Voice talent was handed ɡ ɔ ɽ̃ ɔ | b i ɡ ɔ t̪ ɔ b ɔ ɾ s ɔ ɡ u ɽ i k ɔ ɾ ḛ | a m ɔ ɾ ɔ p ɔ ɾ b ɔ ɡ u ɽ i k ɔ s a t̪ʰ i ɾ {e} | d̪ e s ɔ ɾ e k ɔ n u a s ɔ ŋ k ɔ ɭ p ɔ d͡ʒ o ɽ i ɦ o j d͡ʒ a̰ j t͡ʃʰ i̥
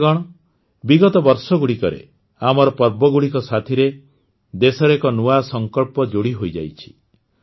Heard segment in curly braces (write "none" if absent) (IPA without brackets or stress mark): e